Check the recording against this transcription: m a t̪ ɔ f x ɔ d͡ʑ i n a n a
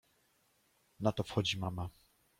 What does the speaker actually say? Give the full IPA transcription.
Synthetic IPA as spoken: n a t̪ ɔ f x ɔ d͡ʑ i m a m a